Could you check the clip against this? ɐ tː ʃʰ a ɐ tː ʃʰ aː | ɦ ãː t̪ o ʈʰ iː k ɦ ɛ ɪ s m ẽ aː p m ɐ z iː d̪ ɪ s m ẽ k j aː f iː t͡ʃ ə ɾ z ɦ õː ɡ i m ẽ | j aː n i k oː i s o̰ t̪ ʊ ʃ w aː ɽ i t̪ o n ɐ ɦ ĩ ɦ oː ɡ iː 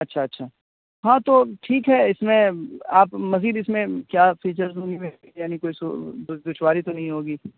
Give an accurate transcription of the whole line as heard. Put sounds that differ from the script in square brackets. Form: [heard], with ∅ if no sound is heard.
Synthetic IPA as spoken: ɐ tː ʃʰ a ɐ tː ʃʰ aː | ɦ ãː t̪ o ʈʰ iː k ɦ ɛ ɪ s m ẽ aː p m ɐ z iː d̪ ɪ s m ẽ k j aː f iː t͡ʃ ə ɾ z ɦ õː ɡ i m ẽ | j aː n i k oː i s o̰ [d̪] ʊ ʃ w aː [ɾ] i t̪ o n ɐ ɦ ĩ ɦ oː ɡ iː